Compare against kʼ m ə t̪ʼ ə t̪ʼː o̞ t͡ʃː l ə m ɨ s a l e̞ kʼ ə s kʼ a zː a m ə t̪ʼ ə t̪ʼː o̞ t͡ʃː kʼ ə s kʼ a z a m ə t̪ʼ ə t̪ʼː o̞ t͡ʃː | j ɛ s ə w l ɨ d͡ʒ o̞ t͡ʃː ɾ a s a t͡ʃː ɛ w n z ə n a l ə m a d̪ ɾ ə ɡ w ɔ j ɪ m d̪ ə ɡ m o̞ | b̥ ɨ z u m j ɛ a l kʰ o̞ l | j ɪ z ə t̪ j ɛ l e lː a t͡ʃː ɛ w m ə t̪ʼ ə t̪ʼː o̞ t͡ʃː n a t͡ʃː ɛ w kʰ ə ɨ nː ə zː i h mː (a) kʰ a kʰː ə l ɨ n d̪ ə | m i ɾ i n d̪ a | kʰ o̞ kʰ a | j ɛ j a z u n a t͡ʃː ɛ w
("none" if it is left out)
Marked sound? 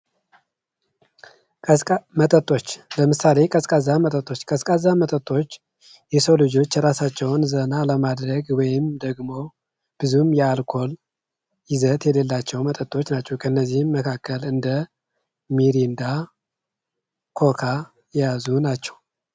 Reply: ə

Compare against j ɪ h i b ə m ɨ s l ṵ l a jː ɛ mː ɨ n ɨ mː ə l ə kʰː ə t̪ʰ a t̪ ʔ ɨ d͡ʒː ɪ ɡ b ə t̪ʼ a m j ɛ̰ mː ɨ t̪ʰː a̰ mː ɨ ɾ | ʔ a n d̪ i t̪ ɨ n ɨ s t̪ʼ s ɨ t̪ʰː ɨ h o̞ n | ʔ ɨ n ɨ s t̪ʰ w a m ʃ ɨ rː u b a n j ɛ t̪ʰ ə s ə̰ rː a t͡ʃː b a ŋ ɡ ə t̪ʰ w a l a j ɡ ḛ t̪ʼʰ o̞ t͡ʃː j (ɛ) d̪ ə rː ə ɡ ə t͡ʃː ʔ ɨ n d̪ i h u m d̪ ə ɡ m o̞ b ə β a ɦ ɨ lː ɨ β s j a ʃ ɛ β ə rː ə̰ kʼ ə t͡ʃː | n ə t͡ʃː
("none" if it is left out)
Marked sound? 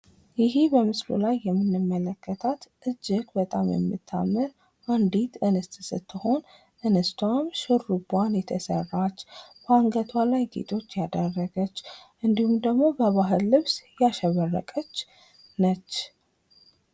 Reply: a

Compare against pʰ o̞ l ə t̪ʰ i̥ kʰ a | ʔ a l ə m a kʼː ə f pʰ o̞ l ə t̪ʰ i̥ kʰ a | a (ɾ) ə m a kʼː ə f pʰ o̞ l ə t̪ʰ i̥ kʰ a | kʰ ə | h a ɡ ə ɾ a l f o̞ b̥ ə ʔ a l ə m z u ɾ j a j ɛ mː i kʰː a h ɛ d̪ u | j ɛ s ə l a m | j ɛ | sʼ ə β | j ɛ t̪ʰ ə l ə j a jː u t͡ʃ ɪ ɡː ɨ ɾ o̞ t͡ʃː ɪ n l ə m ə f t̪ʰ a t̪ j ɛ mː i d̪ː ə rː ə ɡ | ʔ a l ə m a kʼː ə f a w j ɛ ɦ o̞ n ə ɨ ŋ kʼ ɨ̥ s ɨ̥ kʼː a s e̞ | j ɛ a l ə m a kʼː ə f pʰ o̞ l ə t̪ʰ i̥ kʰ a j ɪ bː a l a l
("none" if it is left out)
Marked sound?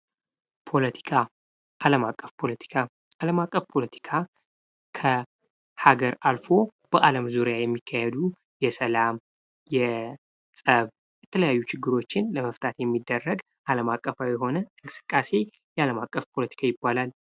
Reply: l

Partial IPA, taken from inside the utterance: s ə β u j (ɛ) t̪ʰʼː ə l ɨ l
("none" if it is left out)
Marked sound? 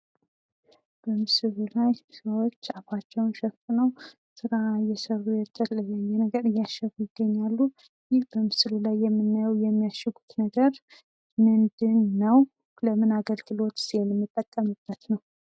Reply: ɛ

